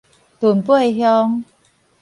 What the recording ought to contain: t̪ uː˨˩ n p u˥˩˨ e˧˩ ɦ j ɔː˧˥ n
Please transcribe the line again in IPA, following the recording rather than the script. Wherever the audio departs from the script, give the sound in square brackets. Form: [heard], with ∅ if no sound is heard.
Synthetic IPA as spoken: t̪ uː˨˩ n p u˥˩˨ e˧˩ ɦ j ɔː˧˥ [ŋ]